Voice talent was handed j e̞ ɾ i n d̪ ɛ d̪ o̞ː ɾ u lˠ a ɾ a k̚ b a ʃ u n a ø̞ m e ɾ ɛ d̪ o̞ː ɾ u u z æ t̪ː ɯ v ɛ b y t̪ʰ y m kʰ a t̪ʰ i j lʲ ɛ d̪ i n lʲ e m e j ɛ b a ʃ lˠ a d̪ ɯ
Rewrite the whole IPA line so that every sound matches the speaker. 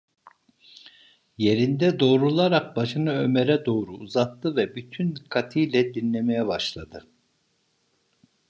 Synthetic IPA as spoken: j e̞ ɾ i n d̪ ɛ d̪ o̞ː ɾ u lˠ a ɾ a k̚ b a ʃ ɯ n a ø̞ m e ɾ ɛ d̪ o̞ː ɾ u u z a t̪ː ɯ v ɛ b y t̪ʰ y n kʰ a t̪ʰ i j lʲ ɛ d̪ i n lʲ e m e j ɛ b a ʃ lˠ a d̪ ɯ